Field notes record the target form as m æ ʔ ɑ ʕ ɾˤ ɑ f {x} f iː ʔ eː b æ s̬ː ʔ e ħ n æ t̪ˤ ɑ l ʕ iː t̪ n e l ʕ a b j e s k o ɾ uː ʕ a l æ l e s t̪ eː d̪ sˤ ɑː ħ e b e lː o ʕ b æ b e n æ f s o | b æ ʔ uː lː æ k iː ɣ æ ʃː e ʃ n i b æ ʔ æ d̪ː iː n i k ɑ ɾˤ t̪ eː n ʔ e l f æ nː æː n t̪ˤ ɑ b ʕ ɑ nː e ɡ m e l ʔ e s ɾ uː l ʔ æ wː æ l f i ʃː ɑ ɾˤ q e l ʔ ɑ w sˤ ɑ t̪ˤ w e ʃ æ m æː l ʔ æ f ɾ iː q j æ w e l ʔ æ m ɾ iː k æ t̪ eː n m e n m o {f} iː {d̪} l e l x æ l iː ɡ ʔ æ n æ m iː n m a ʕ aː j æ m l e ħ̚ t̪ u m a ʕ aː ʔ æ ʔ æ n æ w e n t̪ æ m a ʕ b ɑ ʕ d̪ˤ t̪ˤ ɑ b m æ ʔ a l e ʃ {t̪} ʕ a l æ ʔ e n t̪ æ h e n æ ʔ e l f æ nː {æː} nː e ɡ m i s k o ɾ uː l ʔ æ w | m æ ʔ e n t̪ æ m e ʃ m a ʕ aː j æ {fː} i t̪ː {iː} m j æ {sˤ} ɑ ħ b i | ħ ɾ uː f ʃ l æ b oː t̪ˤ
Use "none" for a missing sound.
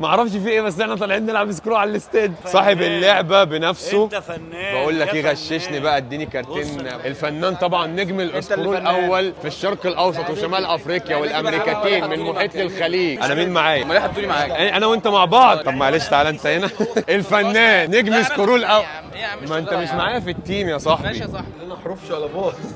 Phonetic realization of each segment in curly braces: ʃ, ħ, t̪, t̪, æː, f, iː, sˤ

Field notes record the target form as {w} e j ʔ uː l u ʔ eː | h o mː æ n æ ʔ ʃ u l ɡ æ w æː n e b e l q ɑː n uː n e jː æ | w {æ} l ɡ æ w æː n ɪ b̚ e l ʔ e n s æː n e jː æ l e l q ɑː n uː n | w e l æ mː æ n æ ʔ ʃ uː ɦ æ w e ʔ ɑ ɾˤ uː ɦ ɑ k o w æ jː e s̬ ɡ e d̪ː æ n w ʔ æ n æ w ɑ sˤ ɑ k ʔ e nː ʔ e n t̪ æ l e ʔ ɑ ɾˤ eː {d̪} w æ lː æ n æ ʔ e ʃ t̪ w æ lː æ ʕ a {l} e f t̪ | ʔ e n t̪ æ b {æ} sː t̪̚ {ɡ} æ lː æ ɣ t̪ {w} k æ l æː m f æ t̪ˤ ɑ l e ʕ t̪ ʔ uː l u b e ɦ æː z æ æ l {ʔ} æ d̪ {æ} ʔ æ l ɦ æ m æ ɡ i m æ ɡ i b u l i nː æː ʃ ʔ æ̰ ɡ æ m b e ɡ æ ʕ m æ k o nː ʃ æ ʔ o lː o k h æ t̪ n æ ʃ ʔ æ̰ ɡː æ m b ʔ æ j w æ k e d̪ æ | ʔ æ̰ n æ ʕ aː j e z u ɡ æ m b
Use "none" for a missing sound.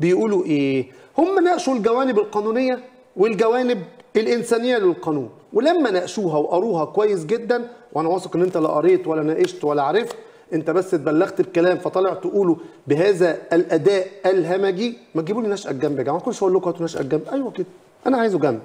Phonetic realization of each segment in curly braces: b, e, t̪, ɾ, æ, b, b, ʔ, æː

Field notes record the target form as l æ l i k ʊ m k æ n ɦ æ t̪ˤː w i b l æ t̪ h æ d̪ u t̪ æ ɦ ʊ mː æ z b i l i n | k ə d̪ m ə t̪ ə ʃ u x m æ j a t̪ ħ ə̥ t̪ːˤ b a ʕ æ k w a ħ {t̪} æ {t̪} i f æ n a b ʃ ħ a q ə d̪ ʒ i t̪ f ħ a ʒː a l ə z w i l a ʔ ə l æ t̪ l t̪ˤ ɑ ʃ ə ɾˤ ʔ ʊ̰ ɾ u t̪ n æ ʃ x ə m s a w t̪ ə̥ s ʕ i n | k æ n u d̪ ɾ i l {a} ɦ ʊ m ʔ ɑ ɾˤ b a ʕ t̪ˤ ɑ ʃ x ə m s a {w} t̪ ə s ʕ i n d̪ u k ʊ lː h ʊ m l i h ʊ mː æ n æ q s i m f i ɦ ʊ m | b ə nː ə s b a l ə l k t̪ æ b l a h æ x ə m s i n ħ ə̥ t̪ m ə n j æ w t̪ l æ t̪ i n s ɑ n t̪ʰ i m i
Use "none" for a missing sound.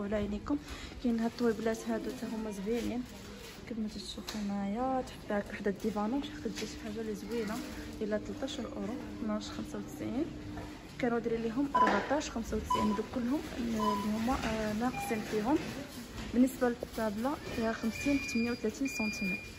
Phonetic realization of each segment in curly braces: d̪, d̪, i, w

